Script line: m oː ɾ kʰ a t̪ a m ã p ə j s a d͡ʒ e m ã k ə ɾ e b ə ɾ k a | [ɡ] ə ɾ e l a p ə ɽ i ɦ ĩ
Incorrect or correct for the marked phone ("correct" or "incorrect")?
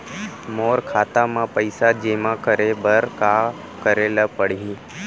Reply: incorrect